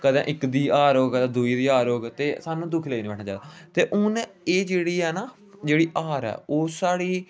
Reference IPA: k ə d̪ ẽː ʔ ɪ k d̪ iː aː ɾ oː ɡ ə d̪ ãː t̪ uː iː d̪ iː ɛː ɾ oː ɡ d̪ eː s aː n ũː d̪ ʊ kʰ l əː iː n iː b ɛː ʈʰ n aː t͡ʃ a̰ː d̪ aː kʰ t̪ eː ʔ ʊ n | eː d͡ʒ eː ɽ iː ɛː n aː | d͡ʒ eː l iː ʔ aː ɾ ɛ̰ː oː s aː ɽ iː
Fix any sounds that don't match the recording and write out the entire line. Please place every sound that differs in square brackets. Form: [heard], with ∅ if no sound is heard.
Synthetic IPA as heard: k ə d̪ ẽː ʔ ɪ k d̪ iː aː ɾ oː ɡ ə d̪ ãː [d̪] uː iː d̪ iː [aː] ɾ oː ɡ [t̪] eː s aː n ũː d̪ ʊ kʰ l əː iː n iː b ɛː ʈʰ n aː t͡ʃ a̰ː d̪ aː [∅] t̪ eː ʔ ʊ n | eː d͡ʒ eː ɽ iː ɛː n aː | d͡ʒ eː [ɽ] iː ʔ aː ɾ ɛ̰ː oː s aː ɽ iː